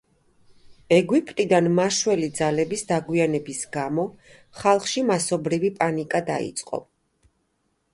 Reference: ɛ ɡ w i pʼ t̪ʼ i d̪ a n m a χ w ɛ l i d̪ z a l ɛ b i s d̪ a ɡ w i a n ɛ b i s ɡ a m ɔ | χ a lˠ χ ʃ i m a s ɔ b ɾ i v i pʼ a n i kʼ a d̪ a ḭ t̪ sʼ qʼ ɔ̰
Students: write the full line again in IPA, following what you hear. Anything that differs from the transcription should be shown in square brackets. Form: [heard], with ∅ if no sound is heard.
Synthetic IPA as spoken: ɛ ɡ w i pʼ t̪ʼ i d̪ a n m a [ʃ] w ɛ l i d̪ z a l ɛ b i s d̪ a ɡ w i a n ɛ b i s ɡ a m ɔ | χ a lˠ χ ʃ i m a s ɔ b ɾ i v i pʼ a n i kʼ a d̪ a ḭ t̪ sʼ qʼ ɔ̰